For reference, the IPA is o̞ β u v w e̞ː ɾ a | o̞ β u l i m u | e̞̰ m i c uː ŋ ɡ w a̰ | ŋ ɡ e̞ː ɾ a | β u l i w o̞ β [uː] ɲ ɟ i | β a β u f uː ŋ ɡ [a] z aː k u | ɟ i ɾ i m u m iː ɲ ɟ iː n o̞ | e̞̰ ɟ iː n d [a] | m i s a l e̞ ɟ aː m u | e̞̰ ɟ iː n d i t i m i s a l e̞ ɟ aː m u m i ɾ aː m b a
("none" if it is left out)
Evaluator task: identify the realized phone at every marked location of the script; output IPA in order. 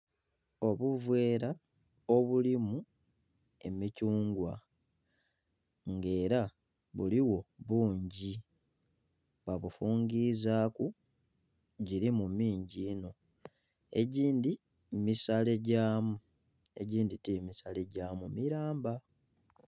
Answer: uː, i, i

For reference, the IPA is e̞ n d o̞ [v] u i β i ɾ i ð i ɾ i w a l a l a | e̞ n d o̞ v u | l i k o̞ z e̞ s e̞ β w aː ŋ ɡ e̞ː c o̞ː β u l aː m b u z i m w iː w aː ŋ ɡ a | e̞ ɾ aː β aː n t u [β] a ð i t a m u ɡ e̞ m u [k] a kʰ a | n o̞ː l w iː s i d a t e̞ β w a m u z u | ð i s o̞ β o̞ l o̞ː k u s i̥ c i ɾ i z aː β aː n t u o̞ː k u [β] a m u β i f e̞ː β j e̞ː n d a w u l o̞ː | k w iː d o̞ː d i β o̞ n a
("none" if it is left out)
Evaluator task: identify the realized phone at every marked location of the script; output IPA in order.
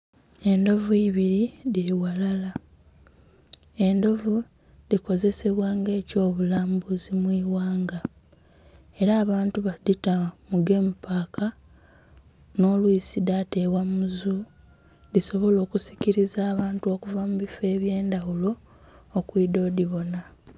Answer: v, β, p, v

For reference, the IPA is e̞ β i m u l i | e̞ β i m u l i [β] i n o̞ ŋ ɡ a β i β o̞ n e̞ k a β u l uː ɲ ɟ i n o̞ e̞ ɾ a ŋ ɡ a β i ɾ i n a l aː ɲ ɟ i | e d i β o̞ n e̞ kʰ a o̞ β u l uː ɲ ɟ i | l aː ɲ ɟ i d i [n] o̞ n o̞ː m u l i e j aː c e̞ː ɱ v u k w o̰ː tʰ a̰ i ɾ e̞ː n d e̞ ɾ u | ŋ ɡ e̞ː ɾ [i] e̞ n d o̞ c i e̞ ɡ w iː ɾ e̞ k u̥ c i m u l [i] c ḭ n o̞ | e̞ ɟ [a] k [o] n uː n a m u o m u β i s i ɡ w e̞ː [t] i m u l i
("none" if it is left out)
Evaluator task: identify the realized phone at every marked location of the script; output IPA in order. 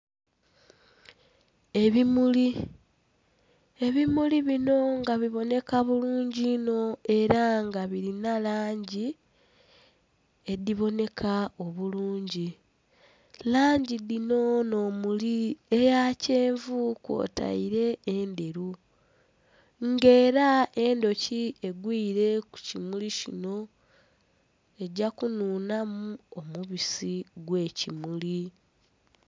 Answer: β, n, a, i, a, u, c

